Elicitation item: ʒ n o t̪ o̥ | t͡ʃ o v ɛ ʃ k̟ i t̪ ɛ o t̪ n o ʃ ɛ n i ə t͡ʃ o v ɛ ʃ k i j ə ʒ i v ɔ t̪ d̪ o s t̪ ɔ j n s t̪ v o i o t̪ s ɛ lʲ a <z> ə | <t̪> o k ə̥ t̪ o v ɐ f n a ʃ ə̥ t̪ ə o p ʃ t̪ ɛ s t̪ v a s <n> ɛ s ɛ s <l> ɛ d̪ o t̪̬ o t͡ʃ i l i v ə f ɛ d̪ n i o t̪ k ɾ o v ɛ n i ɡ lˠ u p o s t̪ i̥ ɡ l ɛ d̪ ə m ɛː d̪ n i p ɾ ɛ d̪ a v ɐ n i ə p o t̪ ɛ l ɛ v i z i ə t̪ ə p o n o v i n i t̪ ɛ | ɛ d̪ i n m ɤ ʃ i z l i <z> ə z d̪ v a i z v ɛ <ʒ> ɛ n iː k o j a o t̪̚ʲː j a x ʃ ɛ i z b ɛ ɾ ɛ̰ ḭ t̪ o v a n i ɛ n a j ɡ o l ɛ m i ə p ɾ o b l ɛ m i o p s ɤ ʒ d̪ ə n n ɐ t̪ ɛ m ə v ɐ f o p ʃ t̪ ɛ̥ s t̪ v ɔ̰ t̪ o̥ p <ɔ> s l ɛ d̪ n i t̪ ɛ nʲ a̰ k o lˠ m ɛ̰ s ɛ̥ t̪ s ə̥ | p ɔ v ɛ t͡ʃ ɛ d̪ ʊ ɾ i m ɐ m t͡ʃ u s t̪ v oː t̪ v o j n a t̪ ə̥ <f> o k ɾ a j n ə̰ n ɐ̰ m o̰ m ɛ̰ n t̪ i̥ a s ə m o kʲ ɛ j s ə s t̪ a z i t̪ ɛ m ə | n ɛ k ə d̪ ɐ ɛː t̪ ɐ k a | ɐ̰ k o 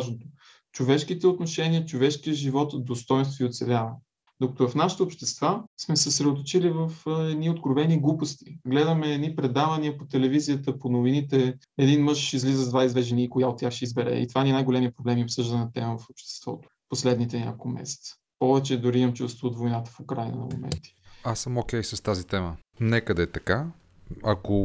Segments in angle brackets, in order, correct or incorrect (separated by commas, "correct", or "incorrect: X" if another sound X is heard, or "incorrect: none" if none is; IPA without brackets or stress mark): incorrect: v, incorrect: d̪, incorrect: m, incorrect: ɾ, correct, correct, incorrect: o, correct